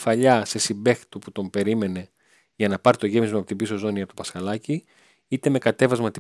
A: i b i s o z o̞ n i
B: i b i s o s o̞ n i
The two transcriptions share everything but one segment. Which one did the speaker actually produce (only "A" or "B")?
A